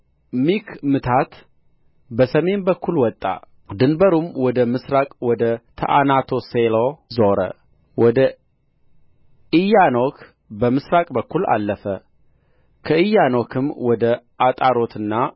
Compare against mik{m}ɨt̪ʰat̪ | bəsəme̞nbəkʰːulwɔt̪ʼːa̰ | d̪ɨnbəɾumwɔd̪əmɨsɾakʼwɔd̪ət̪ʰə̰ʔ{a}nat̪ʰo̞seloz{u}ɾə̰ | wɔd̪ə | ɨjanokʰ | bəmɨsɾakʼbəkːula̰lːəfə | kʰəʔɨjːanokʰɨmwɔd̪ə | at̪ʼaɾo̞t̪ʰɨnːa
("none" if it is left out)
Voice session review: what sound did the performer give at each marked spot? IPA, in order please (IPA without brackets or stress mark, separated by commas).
m, a, o